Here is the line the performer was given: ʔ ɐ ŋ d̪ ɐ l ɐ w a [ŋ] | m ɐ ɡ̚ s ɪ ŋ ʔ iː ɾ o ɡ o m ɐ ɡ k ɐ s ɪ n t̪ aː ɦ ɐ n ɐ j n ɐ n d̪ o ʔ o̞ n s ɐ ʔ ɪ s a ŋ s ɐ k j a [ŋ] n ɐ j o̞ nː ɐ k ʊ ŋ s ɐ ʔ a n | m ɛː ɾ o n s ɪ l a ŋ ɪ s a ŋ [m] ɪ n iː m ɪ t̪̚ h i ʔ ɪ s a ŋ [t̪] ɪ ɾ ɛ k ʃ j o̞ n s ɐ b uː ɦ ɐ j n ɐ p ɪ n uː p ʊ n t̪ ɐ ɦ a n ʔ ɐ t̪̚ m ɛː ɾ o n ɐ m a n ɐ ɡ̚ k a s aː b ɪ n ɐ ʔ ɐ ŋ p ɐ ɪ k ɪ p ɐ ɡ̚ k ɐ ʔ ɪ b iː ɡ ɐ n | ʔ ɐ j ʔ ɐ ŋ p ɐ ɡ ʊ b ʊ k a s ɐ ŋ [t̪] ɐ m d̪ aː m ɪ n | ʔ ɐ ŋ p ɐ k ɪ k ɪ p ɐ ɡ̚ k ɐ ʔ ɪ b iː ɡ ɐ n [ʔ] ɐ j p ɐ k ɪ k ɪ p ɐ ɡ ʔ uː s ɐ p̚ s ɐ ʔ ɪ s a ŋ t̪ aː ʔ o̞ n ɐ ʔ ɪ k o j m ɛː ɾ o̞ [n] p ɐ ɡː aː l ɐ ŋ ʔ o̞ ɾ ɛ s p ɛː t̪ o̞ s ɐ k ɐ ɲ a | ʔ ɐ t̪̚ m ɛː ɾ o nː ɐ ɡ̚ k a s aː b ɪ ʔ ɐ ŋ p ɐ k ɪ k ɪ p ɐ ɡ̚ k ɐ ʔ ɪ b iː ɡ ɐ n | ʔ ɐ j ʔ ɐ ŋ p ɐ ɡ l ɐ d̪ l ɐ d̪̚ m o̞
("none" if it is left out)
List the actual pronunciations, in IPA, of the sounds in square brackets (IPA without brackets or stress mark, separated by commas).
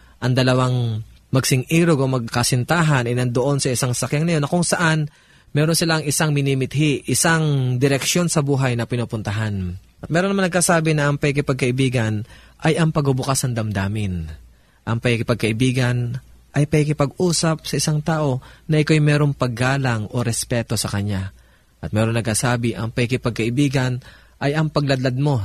ŋ, ŋ, m, d̪, d̪, ʔ, ŋ